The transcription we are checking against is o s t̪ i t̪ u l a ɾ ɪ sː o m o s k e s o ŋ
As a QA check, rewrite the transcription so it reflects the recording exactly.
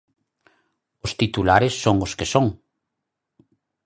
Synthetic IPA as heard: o s t̪ i t̪ u l a ɾ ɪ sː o ŋ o s k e s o ŋ